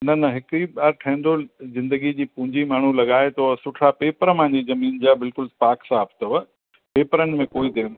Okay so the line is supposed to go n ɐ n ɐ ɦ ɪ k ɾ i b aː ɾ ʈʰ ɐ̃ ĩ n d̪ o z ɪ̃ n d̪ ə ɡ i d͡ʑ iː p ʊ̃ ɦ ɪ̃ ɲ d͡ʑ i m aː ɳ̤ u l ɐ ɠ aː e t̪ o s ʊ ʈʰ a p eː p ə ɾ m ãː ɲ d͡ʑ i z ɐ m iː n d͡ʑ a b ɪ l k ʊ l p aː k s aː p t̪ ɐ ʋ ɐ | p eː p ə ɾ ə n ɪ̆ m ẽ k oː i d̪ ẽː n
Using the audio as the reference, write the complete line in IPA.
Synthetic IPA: n ɐ n ɐ ɦ ɪ k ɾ i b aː ɾ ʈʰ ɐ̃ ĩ n d̪ o z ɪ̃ n d̪ ə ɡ i d͡ʑ iː p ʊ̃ ɦ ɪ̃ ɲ d͡ʑ i m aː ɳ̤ u l ɐ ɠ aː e t̪ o s ʊ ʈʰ a p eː p ə ɾ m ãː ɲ d͡ʑ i z ɐ m iː n d͡ʑ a b ɪ l k ʊ l p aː k s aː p t̪ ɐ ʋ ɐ | p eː p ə ɾ ə n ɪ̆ m ẽ k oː i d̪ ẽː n

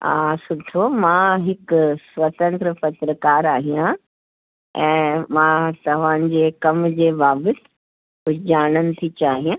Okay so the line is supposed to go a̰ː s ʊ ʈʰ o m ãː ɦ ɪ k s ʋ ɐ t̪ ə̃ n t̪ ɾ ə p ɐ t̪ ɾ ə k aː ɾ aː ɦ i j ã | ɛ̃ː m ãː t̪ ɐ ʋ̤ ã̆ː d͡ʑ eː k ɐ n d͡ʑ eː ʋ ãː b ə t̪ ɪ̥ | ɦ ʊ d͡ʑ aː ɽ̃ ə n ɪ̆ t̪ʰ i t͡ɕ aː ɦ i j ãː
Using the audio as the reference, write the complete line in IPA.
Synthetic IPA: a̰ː s ʊ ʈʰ o m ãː ɦ ɪ k s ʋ ɐ t̪ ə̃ n t̪ ɾ ə p ɐ t̪ ɾ ə k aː ɾ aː ɦ i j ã | ɛ̃ː m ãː t̪ ɐ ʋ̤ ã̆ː d͡ʑ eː k ɐ m d͡ʑ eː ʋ aː b ə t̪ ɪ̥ | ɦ ʊ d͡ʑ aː ɽ̃ ə n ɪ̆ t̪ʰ i t͡ɕ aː ɦ i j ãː

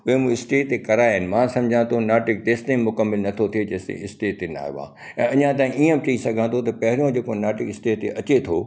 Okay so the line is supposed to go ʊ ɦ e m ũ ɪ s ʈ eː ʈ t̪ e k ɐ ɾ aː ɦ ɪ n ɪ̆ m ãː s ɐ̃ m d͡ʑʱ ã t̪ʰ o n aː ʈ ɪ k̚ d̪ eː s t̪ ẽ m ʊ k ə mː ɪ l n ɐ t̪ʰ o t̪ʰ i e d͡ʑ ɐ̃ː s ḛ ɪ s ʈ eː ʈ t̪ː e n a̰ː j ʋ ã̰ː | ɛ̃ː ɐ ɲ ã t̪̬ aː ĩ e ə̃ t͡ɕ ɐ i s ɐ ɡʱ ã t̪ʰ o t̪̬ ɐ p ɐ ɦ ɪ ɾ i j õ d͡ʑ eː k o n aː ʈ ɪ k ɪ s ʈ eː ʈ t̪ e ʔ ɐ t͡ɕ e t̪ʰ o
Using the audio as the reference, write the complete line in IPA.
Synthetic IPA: ʊ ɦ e m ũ ɪ s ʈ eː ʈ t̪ e k ɐ ɾ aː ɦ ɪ n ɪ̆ m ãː s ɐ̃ m d͡ʑʱ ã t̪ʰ o n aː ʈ ɪ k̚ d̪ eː s t̪ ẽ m ʊ k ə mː ɪ l n ɐ t̪ʰ o t̪ʰ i e d͡ʑ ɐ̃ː s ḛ ɪ s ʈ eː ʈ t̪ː e n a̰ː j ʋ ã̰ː | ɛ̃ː ɐ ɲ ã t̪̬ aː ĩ i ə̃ t͡ɕ ɐ i s ɐ ɡʱ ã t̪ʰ o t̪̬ ɐ p ɐ ɦ ɪ ɾ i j õ d͡ʑ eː k o n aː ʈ ɪ k ɪ s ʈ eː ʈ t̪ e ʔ ɐ t͡ɕ e t̪ʰ o

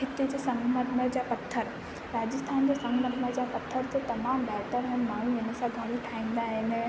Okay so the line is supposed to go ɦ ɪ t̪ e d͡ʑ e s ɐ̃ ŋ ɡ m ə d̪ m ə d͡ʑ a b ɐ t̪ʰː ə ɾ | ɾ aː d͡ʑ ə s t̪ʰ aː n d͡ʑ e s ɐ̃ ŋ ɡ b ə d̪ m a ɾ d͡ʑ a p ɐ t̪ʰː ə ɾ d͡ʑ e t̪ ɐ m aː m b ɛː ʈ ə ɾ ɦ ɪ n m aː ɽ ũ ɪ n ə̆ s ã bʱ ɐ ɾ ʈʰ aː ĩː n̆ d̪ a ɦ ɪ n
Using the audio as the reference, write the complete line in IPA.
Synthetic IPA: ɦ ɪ t̪ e d͡ʑ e s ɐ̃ ŋ ɡ m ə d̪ m ə d͡ʑ a p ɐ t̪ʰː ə ɾ | ɾ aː d͡ʑ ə s t̪ʰ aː n d͡ʑ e s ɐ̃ ŋ ɡ m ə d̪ m ə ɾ d͡ʑ a p ɐ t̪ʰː ə ɾ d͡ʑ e t̪ ɐ m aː m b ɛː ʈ ə ɾ ɦ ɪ n m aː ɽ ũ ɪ n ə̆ s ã ɡʱ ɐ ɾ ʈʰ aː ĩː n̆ d̪ a ɦ ɪ n

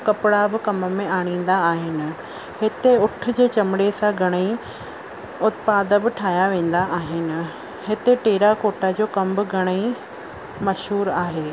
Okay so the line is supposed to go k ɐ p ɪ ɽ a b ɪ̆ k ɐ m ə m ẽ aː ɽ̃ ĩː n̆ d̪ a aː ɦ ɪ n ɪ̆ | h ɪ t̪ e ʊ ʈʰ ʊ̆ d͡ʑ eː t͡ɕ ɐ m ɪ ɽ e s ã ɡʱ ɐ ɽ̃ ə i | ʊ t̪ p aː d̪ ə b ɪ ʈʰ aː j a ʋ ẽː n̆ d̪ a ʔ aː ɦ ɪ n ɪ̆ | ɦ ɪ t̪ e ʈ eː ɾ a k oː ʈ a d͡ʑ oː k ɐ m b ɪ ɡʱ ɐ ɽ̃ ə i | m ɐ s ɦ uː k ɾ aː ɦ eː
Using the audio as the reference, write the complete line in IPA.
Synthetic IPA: k ɐ p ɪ ɽ a b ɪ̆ k ɐ m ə m ẽ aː ɽ̃ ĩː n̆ d̪ a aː ɦ ɪ n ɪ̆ | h ɪ t̪ e ʊ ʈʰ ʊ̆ d͡ʑ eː t͡ɕ ɐ m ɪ ɽ e s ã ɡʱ ɐ ɽ̃ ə i | ʊ t̪ p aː d̪ ə b ɪ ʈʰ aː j a ʋ ẽː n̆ d̪ a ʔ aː ɦ ɪ n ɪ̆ | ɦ ɪ t̪ e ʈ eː ɾ a k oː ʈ a d͡ʑ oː k ɐ m b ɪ ɡʱ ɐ ɽ̃ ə i | m ɐ ʃ ɦ uː ɾ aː ɦ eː

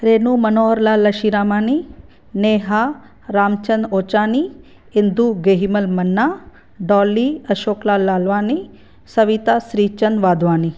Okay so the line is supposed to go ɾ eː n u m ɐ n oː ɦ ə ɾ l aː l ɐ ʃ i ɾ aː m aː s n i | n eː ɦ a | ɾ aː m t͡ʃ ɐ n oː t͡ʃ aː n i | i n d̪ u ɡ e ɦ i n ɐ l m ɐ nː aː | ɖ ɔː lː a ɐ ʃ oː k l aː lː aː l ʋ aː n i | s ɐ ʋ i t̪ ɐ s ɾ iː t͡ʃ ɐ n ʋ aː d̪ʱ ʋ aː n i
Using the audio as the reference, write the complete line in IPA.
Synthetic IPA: ɾ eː n u m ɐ n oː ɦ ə ɾ l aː l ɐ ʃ i ɾ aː m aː n i | n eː ɦ a | ɾ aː m t͡ʃ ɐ n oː t͡ʃ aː n i | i n d̪ u ɡ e ɦ i m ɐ l m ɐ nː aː | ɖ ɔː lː i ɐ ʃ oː k l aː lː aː l ʋ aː n i | s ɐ ʋ i t̪ a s ɾ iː t͡ʃ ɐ n ʋ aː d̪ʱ ʋ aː n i

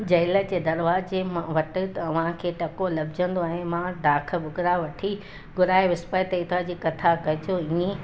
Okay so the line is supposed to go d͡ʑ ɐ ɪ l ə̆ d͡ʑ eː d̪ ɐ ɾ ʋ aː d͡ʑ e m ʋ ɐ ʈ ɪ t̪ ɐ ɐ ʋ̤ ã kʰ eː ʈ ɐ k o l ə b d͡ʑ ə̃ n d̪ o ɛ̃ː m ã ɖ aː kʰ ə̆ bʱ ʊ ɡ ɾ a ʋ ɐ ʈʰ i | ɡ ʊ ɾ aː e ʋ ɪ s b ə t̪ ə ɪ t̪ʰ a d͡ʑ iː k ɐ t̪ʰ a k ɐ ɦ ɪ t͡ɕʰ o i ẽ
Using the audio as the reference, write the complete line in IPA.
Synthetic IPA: d͡ʑ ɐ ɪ l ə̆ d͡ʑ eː d̪ ɐ ɾ ʋ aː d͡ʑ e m ʋ ɐ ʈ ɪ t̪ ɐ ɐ ʋ̤ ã kʰ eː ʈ ɐ k o l ɐ b d͡ʑ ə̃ n d̪ o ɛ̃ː m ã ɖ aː kʰ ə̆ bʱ ʊ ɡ ɾ a ʋ ɐ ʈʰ i | ɡ ʊ ɾ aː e ʋ ɪ s p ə t̪ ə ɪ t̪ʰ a d͡ʑ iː k ɐ t̪ʰ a k ɐ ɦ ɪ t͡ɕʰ o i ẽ

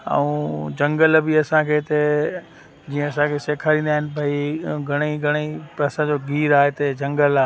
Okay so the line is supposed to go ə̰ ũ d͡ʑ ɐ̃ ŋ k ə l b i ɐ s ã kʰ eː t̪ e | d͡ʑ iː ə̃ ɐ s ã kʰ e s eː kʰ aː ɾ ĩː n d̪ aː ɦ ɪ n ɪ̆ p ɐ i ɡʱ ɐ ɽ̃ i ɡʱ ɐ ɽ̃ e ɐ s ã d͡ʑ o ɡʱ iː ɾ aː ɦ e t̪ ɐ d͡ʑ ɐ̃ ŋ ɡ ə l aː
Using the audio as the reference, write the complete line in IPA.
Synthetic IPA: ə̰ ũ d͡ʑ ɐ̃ ŋ ɡ ə l b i ɐ s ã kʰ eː t̪ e | d͡ʑ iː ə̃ ɐ s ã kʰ e s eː kʰ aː ɾ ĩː n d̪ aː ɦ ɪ n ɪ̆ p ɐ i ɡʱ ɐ ɽ̃ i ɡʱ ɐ ɽ̃ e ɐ s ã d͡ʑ o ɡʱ iː ɾ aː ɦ e t̪ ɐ d͡ʑ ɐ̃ ŋ ɡ ə l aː

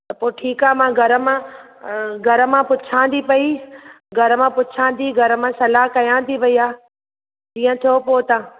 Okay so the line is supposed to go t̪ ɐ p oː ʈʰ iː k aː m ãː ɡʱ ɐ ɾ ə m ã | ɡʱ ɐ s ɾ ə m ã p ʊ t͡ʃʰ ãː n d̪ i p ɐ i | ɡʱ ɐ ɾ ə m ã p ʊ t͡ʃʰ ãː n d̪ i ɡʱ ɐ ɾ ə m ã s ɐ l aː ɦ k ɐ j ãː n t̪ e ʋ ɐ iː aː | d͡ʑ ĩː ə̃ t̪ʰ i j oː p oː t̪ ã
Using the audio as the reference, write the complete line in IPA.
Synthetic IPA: t̪ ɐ p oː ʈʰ iː k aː m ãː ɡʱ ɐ ɾ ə m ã | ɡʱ ɐ ɾ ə m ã p ʊ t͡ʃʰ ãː n d̪ i p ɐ i | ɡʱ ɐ ɾ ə m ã p ʊ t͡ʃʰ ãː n d̪ i ɡʱ ɐ ɾ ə m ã s ɐ l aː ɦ k ɐ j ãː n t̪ i ʋ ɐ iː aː | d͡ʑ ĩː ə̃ t̪ʰ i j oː p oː t̪ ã

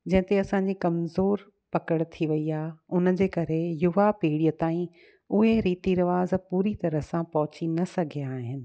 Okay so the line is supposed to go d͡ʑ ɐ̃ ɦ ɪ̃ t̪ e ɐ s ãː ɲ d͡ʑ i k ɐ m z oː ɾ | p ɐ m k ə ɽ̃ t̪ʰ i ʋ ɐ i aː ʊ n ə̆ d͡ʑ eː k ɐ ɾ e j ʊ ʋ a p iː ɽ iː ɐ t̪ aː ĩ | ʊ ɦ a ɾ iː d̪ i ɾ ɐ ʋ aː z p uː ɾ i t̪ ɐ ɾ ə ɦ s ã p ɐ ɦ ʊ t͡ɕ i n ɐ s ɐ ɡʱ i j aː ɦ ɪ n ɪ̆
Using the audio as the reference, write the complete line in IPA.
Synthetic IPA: d͡ʑ ɐ̃ ɦ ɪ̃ t̪ e ɐ s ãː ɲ d͡ʑ i k ɐ m z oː ɾ | p ɐ k ə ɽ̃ t̪ʰ i ʋ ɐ i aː ʊ n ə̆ d͡ʑ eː k ɐ ɾ e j ʊ ʋ a p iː ɽ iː ə t̪ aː ĩ | ʊ ɦ e ɾ iː t̪ i ɾ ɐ ʋ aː z p uː ɾ i t̪ ɐ ɾ ə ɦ s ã p ɐ ɦ ʊ t͡ɕ i n ɐ s ɐ ɡʱ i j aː ɦ ɪ n ɪ̆

